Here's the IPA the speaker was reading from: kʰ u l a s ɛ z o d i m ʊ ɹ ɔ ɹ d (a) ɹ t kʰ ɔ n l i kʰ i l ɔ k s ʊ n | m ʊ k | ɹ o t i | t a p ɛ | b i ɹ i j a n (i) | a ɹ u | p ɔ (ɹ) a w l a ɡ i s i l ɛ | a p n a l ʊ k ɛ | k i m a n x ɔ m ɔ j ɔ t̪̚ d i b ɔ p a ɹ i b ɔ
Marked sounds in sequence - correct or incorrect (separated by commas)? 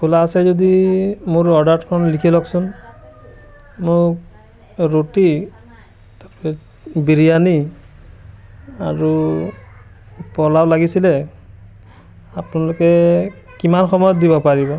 correct, correct, incorrect